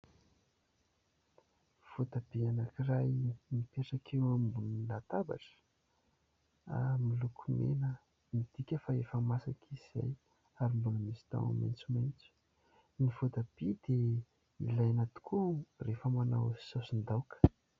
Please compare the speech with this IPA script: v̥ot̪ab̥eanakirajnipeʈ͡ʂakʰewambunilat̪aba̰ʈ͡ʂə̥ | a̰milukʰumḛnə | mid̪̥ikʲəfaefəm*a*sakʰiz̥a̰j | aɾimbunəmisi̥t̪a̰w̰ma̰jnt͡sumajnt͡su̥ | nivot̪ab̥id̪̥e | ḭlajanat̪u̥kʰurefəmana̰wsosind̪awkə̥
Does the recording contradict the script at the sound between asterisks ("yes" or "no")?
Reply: no